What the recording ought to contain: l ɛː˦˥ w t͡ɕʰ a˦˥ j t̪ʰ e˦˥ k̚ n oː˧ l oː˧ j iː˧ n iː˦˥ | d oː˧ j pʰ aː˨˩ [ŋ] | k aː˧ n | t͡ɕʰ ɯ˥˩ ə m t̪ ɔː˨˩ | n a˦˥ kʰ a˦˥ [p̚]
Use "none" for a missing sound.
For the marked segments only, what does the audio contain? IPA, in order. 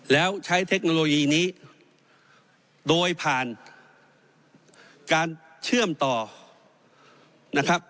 n, p̚

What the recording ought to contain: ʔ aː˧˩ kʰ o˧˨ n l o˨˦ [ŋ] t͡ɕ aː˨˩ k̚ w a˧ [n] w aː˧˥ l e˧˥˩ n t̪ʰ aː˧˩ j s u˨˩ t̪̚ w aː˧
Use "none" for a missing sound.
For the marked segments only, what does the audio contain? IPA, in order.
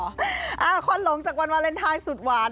ŋ, n

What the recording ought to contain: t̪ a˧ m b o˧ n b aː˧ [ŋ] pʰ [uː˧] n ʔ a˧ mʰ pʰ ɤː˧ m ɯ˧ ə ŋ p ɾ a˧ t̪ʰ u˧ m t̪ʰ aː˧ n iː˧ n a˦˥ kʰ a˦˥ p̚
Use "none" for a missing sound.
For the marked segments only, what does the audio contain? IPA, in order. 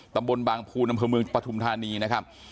ŋ, uː˧

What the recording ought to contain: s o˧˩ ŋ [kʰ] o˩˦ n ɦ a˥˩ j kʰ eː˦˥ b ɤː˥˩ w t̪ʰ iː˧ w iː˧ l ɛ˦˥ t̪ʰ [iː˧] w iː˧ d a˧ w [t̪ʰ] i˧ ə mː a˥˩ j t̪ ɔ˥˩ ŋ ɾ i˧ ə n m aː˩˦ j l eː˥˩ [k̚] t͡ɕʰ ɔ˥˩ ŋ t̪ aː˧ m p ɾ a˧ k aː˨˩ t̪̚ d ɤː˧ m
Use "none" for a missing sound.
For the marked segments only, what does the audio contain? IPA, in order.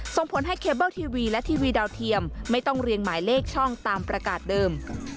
pʰ, iː˧, t̪ʰ, k̚

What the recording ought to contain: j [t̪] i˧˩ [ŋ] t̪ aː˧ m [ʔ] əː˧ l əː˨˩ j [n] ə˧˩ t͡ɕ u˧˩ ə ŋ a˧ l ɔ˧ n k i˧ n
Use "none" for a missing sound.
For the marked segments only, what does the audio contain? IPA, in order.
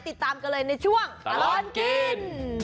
t̪, none, k, n

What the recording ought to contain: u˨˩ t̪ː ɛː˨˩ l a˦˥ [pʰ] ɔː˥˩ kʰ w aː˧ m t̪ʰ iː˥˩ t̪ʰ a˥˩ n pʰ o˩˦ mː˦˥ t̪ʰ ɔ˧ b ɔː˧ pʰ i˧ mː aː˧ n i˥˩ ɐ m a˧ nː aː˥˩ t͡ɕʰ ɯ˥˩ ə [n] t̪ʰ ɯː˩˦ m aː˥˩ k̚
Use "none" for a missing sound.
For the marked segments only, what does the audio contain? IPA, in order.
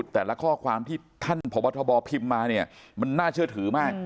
kʰ, none

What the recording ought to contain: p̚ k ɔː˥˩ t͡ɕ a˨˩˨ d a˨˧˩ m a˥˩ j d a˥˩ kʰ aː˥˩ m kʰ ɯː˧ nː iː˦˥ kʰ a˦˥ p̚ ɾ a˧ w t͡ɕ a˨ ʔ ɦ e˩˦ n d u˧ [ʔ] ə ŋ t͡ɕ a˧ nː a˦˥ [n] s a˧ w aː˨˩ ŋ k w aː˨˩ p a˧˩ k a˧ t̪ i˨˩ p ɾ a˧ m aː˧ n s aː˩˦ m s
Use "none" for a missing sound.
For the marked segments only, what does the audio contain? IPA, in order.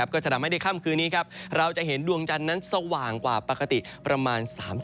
none, n

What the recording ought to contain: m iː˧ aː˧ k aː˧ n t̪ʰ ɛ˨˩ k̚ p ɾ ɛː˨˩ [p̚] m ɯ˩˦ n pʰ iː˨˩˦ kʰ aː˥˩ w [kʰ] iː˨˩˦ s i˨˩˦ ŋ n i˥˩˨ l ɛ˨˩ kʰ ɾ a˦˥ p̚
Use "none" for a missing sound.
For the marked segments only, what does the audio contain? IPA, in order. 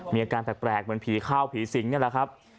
k̚, pʰ

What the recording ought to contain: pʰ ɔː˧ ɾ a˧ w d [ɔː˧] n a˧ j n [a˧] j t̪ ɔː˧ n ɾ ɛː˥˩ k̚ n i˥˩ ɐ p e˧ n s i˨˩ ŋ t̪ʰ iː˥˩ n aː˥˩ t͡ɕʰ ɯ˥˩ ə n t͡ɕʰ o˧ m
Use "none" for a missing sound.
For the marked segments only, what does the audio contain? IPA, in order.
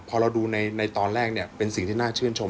uː˧, a˧

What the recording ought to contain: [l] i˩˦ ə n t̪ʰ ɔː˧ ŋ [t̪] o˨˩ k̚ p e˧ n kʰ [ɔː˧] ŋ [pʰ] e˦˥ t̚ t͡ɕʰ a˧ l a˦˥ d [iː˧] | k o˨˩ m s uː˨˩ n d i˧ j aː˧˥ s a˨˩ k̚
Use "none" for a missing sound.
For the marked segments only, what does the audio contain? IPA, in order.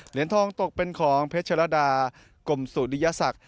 l, t̪, ɔː˩˦, pʰ, aː˧

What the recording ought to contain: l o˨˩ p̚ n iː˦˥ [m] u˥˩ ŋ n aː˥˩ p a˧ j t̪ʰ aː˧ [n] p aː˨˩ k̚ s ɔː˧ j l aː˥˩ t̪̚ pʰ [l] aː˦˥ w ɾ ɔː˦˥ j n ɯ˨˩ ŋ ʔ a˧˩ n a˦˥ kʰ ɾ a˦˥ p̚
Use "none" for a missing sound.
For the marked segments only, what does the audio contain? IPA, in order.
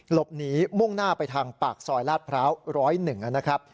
m, ŋ, ɾ

